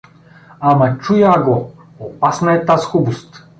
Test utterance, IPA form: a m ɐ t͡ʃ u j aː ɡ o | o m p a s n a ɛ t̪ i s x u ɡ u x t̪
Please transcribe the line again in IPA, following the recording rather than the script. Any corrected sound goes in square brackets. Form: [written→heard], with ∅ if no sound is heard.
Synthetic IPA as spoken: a m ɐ t͡ʃ u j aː ɡ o | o [m→∅] p a s n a ɛ t̪ [i→a] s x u [ɡ→b] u [x→s] t̪